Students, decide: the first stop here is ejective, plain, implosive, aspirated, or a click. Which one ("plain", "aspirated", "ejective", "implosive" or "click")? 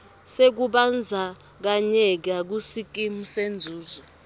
plain